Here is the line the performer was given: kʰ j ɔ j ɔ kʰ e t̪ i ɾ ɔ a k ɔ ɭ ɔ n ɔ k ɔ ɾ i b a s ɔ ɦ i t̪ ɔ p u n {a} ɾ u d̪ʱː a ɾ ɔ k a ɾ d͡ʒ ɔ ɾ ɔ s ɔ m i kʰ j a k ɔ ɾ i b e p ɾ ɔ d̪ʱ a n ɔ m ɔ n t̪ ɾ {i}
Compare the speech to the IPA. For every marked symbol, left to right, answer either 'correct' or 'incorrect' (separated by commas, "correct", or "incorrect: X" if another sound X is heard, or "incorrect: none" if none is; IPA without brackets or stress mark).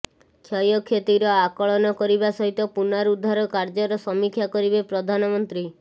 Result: correct, correct